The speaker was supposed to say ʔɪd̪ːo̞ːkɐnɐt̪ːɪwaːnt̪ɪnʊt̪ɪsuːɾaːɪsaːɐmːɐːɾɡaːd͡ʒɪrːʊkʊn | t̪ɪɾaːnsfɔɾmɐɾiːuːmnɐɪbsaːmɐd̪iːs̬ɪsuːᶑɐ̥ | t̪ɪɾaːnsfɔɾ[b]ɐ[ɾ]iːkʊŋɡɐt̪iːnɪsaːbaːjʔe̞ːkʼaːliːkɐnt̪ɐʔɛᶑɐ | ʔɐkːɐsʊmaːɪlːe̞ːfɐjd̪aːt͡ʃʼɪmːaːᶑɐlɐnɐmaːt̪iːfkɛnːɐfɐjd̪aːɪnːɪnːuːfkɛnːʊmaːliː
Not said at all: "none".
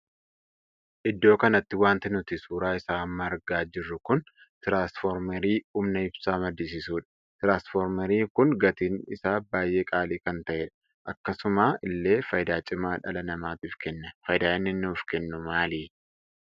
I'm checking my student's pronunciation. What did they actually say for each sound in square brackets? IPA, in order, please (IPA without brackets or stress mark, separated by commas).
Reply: m, ɾ